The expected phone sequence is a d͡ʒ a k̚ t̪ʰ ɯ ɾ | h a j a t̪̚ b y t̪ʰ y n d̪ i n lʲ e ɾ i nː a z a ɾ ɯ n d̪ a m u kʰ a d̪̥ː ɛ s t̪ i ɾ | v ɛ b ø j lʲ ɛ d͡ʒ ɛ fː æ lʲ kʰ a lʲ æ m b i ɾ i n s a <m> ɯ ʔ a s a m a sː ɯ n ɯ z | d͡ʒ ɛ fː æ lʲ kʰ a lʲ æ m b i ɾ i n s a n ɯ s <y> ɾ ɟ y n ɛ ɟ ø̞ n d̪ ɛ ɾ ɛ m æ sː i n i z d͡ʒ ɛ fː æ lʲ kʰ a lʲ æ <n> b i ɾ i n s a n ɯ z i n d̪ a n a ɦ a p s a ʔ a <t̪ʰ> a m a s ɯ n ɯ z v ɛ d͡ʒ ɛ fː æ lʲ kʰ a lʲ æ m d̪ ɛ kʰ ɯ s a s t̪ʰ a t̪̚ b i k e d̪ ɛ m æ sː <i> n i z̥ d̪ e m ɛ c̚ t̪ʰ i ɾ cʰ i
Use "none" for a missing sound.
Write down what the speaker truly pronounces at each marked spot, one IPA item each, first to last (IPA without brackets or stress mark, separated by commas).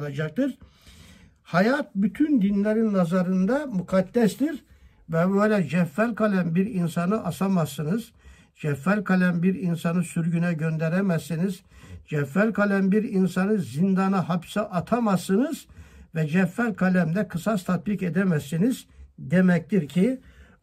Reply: n, y, m, t̪ʰ, i